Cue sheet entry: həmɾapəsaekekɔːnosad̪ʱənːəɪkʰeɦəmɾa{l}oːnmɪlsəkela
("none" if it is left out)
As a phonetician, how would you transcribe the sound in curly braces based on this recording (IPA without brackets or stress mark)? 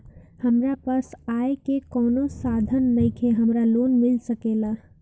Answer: l